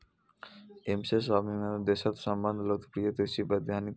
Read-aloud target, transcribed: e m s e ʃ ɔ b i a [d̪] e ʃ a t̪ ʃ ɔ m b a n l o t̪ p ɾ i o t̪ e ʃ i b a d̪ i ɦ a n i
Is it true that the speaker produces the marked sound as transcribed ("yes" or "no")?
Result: yes